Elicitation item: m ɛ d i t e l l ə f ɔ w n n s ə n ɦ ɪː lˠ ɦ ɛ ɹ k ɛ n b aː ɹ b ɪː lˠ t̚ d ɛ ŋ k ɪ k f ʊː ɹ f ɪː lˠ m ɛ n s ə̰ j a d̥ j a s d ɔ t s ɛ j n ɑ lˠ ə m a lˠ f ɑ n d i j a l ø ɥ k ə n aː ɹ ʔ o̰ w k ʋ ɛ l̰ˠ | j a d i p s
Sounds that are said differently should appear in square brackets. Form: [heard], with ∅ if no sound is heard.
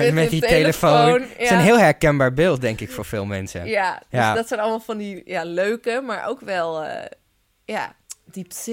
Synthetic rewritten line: m ɛ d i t e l l ə f [o] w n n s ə n ɦ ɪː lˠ ɦ ɛ ɹ k ɛ n b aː ɹ b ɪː lˠ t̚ d ɛ ŋ k ɪ k f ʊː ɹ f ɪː lˠ m ɛ n s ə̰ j a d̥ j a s d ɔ t s ɛ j n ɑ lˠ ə m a lˠ f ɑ n d i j a l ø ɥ k ə [m] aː ɹ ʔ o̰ w k ʋ ɛ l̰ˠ | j a d i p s